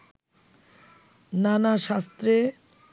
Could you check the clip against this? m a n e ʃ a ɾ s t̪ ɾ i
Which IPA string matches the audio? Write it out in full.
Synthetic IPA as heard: n a n a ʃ a s t̪ ɾ e